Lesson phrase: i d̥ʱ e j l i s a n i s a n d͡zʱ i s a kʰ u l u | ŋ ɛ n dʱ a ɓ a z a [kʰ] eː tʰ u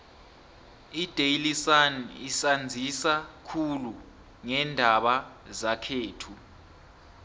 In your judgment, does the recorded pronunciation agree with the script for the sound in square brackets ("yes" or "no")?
yes